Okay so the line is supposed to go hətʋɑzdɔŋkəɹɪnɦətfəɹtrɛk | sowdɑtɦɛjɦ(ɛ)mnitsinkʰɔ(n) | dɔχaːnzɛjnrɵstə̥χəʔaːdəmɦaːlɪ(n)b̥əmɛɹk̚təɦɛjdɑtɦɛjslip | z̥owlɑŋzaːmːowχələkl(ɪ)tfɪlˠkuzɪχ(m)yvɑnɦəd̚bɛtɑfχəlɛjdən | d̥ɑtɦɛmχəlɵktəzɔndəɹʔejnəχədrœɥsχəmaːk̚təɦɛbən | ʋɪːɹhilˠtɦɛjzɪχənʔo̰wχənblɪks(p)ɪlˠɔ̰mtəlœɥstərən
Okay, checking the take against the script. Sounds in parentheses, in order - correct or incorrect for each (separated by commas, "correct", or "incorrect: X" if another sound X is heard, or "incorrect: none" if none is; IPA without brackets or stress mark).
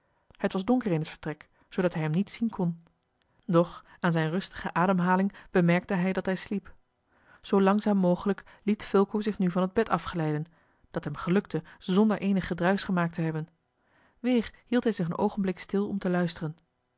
correct, correct, incorrect: ŋ, incorrect: i, incorrect: n, incorrect: t